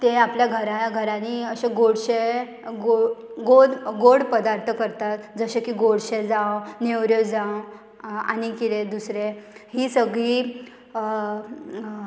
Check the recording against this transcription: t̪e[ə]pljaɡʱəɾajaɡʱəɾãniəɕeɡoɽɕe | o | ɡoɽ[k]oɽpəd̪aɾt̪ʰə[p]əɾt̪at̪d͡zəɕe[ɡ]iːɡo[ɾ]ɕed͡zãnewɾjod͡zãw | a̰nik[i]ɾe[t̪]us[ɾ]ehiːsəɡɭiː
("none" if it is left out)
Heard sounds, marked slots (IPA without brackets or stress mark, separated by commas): a, ɡ, k, k, ɽ, i, d̪, ɾ